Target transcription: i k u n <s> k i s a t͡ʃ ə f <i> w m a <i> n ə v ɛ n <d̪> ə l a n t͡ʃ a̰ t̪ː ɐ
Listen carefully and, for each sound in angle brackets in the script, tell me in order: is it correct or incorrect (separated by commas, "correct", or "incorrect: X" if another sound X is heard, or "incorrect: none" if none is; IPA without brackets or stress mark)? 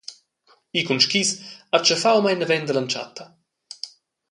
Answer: incorrect: ʃ, incorrect: a, incorrect: j, correct